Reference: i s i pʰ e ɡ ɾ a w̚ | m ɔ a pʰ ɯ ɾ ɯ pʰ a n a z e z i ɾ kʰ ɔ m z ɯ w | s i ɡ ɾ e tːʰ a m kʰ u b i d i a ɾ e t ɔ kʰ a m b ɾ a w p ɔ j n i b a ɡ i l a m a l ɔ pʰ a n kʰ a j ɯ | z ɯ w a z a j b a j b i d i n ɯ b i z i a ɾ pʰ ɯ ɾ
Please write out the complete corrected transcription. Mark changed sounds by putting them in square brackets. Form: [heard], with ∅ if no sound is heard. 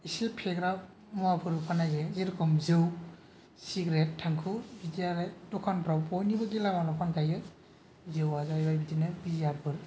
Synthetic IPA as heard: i s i pʰ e ɡ ɾ a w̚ | m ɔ a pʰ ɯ ɾ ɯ pʰ a n a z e z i ɾ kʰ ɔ m z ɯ w | s i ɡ ɾ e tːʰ a [ŋ] kʰ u b i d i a ɾ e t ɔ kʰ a [n] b ɾ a w p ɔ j n i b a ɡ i l a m a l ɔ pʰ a n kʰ a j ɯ | z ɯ w a z a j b a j b i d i n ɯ b i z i a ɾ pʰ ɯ ɾ